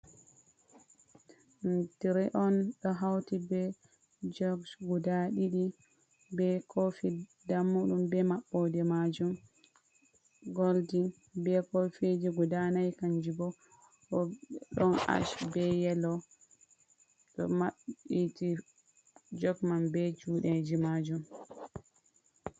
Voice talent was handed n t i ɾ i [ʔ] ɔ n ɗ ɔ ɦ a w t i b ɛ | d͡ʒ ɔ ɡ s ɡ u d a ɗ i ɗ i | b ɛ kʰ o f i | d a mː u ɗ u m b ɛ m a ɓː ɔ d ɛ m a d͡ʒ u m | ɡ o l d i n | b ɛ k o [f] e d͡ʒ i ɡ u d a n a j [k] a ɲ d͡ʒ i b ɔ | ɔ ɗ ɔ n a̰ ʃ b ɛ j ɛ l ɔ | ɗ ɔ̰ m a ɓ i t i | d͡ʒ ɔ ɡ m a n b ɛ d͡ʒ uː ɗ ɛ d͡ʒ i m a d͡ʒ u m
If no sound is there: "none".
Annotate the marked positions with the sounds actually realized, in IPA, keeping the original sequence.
ʔ, f, k

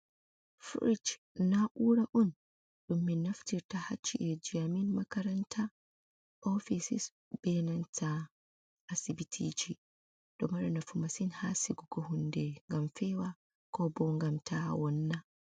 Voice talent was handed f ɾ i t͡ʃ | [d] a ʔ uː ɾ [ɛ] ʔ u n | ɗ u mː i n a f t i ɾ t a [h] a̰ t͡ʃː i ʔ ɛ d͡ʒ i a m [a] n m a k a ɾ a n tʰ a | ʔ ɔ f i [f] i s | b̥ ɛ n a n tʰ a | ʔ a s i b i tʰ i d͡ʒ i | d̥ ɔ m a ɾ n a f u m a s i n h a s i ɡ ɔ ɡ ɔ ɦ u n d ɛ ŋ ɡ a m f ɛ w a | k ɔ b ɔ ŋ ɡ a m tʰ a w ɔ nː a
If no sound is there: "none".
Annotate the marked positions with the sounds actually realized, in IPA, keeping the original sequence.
n, a, h, i, s

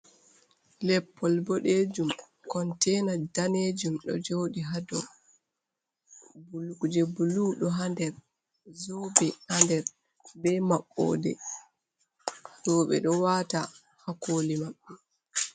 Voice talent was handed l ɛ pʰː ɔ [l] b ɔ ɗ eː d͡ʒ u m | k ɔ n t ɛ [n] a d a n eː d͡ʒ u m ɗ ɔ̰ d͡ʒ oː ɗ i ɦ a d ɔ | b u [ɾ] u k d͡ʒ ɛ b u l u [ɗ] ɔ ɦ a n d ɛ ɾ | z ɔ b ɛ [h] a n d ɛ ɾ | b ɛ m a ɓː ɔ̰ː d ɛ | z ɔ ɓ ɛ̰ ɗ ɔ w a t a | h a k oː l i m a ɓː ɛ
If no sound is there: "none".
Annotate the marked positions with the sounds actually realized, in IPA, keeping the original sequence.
l, n, l, ɗ, h

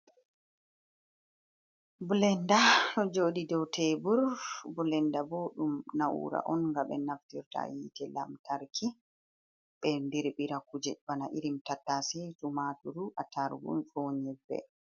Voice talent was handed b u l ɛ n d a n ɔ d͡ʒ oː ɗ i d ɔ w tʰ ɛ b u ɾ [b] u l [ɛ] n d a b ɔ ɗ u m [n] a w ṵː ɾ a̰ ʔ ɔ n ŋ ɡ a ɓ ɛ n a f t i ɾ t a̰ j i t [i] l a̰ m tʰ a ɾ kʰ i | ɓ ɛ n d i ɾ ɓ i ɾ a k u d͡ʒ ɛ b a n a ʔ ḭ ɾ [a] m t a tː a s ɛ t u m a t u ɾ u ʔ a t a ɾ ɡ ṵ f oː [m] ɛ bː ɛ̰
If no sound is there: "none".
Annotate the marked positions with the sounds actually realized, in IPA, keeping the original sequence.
b, ɛ, n, ɛ, i, ɲ

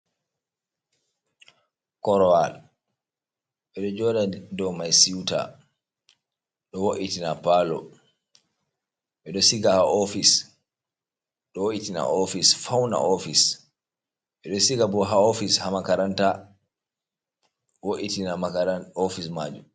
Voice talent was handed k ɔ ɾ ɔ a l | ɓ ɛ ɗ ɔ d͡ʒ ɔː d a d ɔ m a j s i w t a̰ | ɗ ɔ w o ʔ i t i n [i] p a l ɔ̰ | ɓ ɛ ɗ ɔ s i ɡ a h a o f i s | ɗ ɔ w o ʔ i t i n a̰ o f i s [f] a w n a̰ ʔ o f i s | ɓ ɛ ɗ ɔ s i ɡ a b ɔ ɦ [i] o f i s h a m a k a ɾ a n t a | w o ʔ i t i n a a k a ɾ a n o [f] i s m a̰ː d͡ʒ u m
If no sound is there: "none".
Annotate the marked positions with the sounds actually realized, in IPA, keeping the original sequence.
a, f, a, f

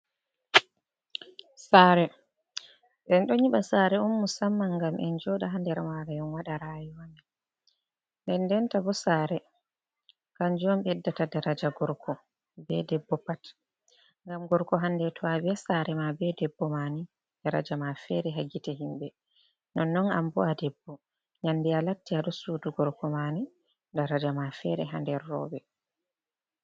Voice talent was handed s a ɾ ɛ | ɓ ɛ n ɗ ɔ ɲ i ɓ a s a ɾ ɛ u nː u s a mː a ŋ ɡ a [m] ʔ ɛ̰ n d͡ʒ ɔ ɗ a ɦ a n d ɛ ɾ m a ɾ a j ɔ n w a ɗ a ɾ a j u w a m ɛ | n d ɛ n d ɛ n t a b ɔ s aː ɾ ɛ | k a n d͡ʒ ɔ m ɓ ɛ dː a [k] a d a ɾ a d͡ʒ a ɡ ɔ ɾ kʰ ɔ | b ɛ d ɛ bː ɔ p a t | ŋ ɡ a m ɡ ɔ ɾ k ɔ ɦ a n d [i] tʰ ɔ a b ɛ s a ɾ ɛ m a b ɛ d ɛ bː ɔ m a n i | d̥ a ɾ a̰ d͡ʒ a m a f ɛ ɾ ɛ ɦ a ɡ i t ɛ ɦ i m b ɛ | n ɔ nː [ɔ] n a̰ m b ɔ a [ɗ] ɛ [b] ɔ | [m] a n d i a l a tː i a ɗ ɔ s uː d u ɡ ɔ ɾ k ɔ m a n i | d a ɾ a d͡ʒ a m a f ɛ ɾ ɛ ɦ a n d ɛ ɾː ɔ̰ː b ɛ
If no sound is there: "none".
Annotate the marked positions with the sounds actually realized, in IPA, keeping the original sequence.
m, t, ɛ, ɔ, d, bː, ɲ

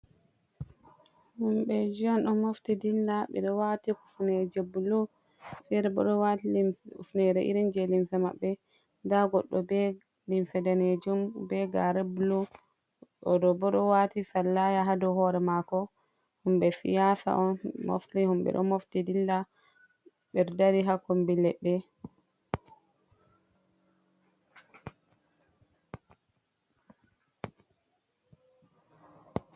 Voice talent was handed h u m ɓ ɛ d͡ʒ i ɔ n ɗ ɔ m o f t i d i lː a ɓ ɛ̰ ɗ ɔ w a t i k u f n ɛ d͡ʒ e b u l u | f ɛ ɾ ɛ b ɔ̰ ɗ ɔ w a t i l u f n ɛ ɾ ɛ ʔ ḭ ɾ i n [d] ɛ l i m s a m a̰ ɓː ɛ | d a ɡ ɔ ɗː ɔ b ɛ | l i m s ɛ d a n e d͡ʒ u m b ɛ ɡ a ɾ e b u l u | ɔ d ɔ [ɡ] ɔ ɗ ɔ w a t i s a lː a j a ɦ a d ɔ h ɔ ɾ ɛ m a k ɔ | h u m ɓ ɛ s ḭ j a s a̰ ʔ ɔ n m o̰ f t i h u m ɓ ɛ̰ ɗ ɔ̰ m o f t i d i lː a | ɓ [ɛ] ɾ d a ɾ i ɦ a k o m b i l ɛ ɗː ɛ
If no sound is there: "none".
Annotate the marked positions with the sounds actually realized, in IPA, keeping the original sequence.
d͡ʒ, b, ɛ

